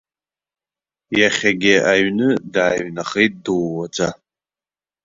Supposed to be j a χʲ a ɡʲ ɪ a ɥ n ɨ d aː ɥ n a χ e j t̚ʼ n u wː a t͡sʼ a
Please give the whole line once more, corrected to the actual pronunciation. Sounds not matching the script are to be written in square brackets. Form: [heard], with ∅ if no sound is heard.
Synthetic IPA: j a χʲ a ɡʲ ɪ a ɥ n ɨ d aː ɥ n a χ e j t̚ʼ [d] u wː a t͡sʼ a